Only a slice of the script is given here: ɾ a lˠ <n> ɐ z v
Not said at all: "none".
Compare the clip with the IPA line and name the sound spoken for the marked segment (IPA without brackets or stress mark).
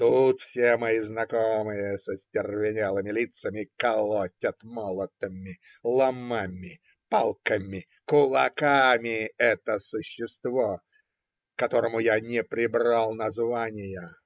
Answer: n